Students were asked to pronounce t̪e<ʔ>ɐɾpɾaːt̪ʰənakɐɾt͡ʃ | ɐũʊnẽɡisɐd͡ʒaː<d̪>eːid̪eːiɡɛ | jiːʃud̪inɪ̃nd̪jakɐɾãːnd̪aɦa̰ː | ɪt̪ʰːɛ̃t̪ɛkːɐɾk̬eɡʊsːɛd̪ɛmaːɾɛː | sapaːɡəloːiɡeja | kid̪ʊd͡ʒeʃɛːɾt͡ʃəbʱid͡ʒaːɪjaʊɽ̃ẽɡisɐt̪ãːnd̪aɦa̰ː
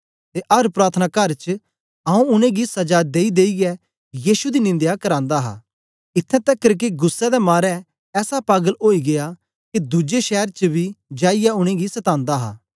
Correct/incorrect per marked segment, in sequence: correct, correct

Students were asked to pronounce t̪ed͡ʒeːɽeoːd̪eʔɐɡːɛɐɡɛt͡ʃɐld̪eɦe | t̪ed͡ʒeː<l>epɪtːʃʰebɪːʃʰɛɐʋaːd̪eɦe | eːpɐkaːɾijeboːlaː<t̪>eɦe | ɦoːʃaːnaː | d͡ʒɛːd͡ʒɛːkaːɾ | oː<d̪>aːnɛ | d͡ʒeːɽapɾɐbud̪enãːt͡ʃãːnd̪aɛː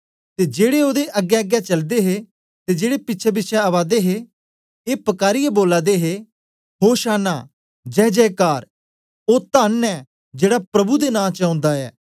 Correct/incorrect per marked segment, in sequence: incorrect: ɽ, incorrect: d̪, incorrect: t̪

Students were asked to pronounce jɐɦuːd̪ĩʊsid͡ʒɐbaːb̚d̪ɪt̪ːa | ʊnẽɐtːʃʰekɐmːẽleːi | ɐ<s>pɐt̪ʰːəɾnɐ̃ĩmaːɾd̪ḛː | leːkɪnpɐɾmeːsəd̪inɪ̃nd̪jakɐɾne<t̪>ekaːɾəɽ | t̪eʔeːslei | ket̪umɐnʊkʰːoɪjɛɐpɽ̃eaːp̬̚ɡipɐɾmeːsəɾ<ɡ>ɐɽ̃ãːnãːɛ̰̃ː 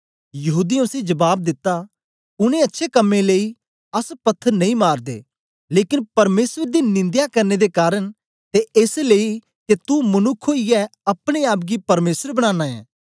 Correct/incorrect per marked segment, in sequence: correct, incorrect: d̪, incorrect: b

